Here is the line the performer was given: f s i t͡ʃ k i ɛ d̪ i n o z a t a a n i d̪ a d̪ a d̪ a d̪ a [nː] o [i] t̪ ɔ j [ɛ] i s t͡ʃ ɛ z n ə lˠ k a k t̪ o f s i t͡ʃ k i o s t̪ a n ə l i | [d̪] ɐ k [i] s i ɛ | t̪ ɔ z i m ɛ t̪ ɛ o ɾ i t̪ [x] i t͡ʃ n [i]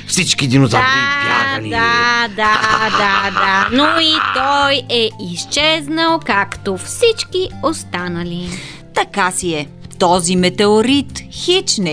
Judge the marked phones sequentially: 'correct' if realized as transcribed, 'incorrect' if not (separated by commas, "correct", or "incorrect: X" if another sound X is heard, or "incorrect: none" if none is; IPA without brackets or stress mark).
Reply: incorrect: n, correct, correct, incorrect: t̪, incorrect: a, correct, incorrect: ɛ